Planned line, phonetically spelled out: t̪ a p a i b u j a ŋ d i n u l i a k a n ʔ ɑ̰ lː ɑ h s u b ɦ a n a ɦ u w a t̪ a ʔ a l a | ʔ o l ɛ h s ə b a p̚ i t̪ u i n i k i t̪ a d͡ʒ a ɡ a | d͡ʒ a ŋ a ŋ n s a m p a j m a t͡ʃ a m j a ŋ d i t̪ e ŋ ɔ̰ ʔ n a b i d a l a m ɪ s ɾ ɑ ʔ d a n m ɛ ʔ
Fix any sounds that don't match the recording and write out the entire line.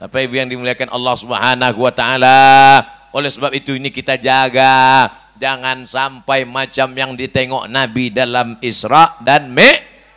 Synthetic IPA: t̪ a p a i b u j a ŋ d i m u l i a k a n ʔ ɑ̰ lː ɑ h s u b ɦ a n a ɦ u w a t̪ a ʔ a l a | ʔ o l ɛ h s ə b a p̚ i t̪ u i n i k i t̪ a d͡ʒ a ɡ a | d͡ʒ a ŋ a n s a m p a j m a t͡ʃ a m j a ŋ d i t̪ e ŋ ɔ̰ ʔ n a b i d a l a m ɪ s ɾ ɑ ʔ d a n m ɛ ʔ